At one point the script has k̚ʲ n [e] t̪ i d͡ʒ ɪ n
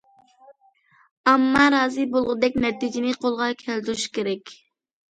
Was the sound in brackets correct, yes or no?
no